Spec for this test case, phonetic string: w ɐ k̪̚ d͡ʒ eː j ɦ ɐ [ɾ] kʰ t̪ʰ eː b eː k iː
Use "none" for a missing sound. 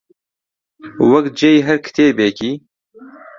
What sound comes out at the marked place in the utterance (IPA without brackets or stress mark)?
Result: ɾ